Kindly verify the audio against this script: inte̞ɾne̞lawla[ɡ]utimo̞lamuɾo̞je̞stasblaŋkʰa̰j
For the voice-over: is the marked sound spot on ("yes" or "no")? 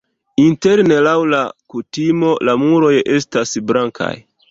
no